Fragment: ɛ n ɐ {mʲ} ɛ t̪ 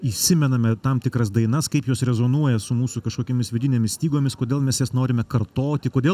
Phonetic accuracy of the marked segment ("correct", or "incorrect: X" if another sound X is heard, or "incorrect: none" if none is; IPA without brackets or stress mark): correct